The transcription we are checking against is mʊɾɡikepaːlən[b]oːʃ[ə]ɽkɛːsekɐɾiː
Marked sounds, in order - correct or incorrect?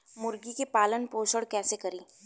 incorrect: p, correct

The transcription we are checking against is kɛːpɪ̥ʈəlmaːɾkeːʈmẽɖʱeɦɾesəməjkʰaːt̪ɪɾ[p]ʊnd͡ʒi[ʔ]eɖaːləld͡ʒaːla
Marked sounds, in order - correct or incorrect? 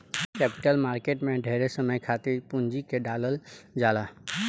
correct, incorrect: k

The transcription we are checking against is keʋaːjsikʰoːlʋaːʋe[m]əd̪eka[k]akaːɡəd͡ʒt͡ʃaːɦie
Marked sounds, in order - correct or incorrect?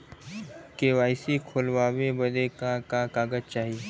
incorrect: b, correct

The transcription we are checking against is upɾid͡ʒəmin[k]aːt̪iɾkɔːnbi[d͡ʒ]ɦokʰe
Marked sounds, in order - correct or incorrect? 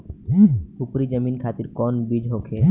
incorrect: kʰ, correct

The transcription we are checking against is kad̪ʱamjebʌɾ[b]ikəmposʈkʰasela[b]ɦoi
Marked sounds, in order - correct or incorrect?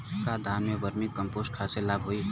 incorrect: m, correct

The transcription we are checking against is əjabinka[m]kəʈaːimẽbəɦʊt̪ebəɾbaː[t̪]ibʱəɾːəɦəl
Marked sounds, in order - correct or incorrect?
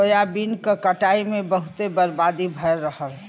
incorrect: none, incorrect: d̪

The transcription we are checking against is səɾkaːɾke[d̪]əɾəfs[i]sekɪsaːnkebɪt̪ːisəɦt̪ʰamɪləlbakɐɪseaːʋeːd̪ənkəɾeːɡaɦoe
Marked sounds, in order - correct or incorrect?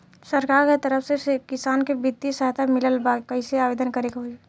incorrect: t̪, incorrect: e

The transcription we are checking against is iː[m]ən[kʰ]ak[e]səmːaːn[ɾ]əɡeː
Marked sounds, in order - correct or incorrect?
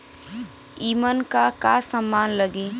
correct, incorrect: k, incorrect: a, incorrect: l

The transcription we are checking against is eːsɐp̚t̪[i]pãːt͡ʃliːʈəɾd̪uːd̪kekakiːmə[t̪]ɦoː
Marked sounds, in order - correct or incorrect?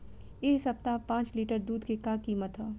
incorrect: a, correct

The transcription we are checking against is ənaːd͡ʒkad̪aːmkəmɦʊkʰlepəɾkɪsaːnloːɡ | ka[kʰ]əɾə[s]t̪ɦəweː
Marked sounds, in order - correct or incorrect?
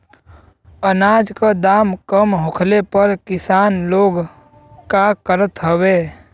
incorrect: k, incorrect: none

